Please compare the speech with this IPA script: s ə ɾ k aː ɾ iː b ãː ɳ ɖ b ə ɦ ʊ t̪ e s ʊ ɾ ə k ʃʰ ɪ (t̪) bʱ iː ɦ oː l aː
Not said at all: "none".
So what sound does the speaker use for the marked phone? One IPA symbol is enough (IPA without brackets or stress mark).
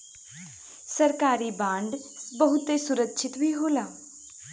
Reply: t̪